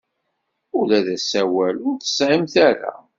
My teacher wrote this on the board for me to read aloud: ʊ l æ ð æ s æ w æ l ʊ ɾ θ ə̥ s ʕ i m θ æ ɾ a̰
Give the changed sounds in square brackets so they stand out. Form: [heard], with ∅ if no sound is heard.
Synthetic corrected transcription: ʊ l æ ð æ s æ w æ l ʊ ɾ θ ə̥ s ʕ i m θ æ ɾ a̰